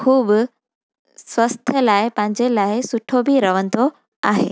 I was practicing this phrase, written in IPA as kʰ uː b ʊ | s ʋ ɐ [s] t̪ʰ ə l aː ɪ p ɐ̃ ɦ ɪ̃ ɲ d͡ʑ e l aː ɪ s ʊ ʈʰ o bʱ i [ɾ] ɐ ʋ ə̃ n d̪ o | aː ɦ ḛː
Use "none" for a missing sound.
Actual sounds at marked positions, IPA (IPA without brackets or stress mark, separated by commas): s, ɾ